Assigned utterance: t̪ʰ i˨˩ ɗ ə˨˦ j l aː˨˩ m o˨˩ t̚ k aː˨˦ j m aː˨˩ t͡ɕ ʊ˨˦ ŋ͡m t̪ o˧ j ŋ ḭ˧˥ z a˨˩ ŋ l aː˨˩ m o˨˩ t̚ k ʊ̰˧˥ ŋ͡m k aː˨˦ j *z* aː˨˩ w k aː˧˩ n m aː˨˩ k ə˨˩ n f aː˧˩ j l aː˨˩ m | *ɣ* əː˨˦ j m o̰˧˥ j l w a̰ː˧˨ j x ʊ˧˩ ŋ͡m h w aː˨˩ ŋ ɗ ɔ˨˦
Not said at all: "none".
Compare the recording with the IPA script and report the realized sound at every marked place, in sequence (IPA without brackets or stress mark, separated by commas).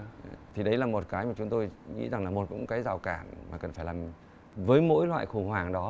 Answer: z, v